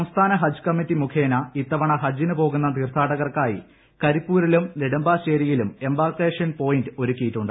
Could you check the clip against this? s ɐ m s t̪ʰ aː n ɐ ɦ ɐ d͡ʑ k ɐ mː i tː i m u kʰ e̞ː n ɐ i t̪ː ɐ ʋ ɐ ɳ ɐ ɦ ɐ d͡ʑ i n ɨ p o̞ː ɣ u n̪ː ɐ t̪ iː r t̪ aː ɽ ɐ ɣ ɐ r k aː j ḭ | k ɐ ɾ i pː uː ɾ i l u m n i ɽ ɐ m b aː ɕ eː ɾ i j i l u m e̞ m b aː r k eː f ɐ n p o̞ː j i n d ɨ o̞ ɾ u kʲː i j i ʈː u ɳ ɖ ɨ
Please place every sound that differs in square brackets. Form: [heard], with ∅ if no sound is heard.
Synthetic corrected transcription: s ɐ m s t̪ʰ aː n ɐ ɦ ɐ d͡ʑ k ɐ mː i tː i m u kʰ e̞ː n ɐ i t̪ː ɐ ʋ ɐ ɳ ɐ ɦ ɐ d͡ʑ i n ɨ p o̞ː ɣ u n̪ː ɐ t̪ iː r [t̪ʰ] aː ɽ ɐ ɣ ɐ r k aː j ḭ | k ɐ ɾ i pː uː ɾ i l u m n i ɽ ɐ m b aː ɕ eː ɾ i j i l u m e̞ m b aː r k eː [ʂ] ɐ n p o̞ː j i n d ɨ o̞ ɾ u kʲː i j i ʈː u ɳ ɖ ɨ

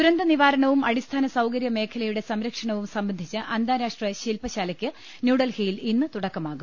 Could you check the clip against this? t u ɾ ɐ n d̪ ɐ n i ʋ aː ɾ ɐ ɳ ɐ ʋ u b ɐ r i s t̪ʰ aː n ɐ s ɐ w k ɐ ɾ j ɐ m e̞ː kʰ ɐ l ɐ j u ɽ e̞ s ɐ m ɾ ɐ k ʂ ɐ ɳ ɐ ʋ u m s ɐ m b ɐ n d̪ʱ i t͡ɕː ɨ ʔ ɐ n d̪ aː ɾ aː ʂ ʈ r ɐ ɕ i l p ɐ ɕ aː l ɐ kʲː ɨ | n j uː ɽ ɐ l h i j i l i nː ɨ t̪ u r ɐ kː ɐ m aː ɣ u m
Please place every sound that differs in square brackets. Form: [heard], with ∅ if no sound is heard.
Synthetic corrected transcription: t u ɾ ɐ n d̪ ɐ n i ʋ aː ɾ ɐ ɳ ɐ ʋ u [m] ɐ [ɽ] i s t̪ʰ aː n ɐ s ɐ w k ɐ ɾ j ɐ m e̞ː kʰ ɐ l ɐ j u ɽ e̞ s ɐ m ɾ ɐ k ʂ ɐ ɳ ɐ ʋ u m s ɐ m b ɐ n d̪ʱ i t͡ɕː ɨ ʔ ɐ n d̪ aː ɾ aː ʂ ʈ r ɐ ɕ i l p ɐ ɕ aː l ɐ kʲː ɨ | n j uː ɽ ɐ l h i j i l i nː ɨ t̪ u [ɽ] ɐ kː ɐ m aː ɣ u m

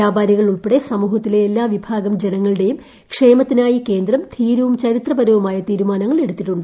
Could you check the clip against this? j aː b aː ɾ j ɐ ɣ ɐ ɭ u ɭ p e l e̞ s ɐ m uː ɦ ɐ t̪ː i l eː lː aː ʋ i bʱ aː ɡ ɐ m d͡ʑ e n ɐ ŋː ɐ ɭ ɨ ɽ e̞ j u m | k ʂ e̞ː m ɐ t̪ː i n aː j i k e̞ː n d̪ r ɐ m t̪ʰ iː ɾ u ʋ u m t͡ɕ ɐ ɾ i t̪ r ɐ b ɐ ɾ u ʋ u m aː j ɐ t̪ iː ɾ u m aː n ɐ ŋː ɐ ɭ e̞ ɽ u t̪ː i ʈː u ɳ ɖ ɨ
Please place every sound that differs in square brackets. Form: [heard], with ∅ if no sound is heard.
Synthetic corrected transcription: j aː b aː ɾ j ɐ ɣ ɐ ɭ u ɭ p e [ɽ] e̞ s ɐ m uː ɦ ɐ t̪ː i l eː lː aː ʋ i bʱ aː ɡ ɐ m d͡ʑ e n ɐ ŋː ɐ ɭ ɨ ɽ e̞ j u m | k ʂ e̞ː m ɐ t̪ː i n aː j i k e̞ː n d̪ r ɐ m t̪ʰ iː ɾ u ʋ u m t͡ɕ ɐ ɾ i t̪ r ɐ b ɐ ɾ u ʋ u m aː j ɐ t̪ iː ɾ u m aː n ɐ ŋː ɐ ɭ e̞ ɽ u t̪ː i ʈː u ɳ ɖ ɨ

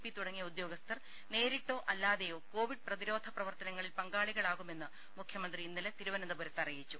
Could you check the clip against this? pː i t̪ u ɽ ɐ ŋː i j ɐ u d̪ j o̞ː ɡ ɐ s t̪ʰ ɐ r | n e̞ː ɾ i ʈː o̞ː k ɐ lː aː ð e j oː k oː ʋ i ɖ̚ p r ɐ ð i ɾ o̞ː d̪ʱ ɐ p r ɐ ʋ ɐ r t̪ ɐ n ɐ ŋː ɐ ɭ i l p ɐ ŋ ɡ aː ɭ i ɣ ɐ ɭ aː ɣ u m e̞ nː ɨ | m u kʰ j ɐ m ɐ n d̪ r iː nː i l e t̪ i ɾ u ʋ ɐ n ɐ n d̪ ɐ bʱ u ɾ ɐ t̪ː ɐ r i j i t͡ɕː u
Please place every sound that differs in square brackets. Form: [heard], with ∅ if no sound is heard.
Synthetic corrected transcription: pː i t̪ u ɽ ɐ ŋː i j ɐ u d̪ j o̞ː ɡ ɐ s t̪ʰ ɐ r | n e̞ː ɾ i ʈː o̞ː [ʔ] ɐ lː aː ð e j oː k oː ʋ i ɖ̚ p r ɐ ð i ɾ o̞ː d̪ʱ ɐ p r ɐ ʋ ɐ r t̪ ɐ n ɐ ŋː ɐ ɭ i l p ɐ ŋ ɡ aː ɭ i ɣ ɐ ɭ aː ɣ u m e̞ nː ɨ | m u kʰ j ɐ m ɐ n d̪ r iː nː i l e t̪ i ɾ u ʋ ɐ n ɐ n d̪ ɐ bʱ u ɾ ɐ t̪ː ɐ r i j i t͡ɕː u

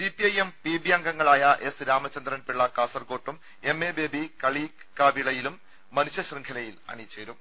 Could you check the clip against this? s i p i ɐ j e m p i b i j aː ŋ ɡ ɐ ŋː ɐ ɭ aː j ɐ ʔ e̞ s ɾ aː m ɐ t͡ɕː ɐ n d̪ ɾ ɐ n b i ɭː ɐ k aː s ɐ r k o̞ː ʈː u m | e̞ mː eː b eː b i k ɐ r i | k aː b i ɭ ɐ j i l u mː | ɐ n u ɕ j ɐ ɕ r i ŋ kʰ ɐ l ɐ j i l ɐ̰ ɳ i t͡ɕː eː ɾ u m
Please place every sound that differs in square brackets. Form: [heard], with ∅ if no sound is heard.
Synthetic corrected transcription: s i p i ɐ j e m p i b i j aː ŋ ɡ ɐ ŋː ɐ ɭ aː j ɐ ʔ e̞ s ɾ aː m ɐ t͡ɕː ɐ n d̪ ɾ ɐ n [p] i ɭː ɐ k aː s ɐ r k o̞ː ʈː u m | e̞ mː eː b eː b i k ɐ [ɭ] i | k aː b i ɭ ɐ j i l u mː | ɐ n u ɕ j ɐ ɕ r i ŋ kʰ ɐ l ɐ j i l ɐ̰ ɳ i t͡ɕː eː ɾ u m

